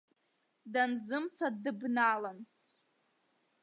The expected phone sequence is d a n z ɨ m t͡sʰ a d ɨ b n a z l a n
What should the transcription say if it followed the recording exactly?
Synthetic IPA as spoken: d a n z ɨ m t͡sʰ a d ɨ b n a l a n